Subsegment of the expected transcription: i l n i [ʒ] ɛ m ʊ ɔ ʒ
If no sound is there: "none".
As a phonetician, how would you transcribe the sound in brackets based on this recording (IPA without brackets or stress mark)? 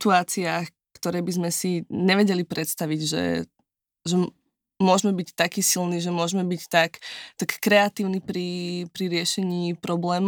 ʒ